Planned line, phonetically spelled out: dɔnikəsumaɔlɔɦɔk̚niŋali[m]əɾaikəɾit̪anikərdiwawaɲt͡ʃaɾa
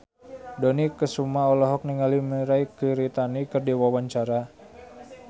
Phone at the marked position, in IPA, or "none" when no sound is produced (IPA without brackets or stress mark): m